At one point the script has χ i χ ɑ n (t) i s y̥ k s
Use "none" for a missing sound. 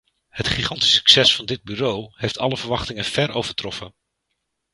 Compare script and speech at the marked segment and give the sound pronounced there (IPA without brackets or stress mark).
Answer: t